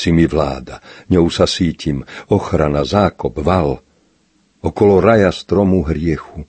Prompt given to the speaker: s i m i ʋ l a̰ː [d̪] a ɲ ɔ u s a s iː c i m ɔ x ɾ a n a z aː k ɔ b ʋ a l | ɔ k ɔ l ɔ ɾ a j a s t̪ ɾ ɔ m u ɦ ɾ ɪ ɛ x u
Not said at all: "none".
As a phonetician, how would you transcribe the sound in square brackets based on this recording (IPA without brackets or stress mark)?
d̪